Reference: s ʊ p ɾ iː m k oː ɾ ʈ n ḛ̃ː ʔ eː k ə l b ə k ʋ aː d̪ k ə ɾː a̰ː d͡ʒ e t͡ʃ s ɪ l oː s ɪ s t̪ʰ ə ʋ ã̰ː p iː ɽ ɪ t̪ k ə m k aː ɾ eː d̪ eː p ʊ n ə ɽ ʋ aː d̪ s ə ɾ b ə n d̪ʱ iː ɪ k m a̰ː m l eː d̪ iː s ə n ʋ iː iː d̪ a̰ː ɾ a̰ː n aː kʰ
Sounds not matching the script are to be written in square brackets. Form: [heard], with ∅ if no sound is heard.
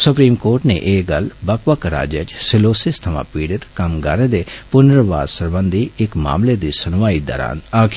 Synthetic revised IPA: s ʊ p ɾ iː m k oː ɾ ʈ n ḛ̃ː ʔ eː [ɡ] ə l b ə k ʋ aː [∅] k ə [ɾ] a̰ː d͡ʒ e t͡ʃ s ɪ l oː s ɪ s t̪ʰ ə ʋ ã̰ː p iː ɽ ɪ t̪ k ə m [ɡ] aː ɾ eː d̪ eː p ʊ n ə [ɾ] ʋ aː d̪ s ə ɾ b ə n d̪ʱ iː ɪ k m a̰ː m l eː d̪ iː s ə n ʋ [aː] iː d̪ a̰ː ɾ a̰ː n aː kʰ